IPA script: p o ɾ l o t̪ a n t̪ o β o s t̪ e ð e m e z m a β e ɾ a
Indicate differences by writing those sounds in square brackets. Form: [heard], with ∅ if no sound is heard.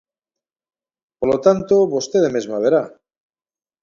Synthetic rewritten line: p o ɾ l o t̪ a n t̪ o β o s t̪ e ð e m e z m a β e ɾ a